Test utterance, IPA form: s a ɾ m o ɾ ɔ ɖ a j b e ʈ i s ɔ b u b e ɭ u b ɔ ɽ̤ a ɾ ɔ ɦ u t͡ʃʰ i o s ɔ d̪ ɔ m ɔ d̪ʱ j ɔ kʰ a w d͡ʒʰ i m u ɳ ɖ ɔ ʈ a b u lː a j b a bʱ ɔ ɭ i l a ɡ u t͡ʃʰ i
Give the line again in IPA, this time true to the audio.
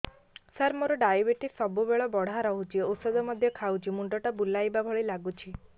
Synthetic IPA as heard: s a ɾ m o ɾ ɔ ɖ a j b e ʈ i s ɔ b u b e ɭ ɔ b ɔ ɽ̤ a ɾ ɔ ɦ u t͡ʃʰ i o s ɔ d̪ ɔ m ɔ d̪ʱ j ɔ kʰ a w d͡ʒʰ i m u ɳ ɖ ɔ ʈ a b u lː a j b a bʱ ɔ ɭ i l a ɡ u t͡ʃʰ i

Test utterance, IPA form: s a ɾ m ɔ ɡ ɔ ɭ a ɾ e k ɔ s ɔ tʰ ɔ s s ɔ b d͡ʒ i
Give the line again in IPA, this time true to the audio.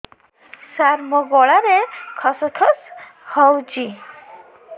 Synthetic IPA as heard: s a ɾ m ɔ ɡ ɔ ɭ a ɾ e kʰ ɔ s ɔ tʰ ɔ s h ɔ w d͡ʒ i

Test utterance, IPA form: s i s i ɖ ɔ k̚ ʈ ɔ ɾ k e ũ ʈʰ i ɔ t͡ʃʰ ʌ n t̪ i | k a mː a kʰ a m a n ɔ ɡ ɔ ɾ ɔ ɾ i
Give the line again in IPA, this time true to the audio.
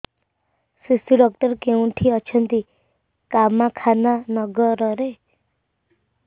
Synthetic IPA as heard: s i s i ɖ ɔ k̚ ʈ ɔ ɾ k e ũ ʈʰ i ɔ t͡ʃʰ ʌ n t̪ i | k a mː a kʰ a n a n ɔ ɡ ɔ ɾ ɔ ɾ e

